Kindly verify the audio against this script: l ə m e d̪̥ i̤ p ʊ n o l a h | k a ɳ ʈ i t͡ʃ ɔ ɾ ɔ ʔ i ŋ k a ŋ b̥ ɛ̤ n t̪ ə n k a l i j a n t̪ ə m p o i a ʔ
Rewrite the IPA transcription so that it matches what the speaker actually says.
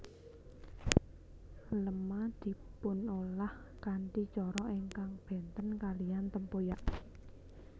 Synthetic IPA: l ə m a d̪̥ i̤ p ʊ n o l a h | k a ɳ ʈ i t͡ʃ ɔ ɾ ɔ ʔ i ŋ k a ŋ b̥ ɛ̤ n t̪ ə n k a l i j a n t̪ ə m p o j a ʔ